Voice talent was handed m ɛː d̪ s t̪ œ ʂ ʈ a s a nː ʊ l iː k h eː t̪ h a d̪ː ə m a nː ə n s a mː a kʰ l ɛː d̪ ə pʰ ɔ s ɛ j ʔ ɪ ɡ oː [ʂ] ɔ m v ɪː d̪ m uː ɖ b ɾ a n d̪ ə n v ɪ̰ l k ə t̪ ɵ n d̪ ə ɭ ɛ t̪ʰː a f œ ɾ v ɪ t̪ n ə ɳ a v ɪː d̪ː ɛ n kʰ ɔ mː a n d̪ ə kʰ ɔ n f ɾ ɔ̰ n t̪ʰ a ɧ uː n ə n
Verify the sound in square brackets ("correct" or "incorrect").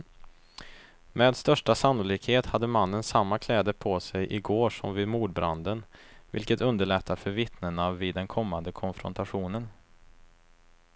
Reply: correct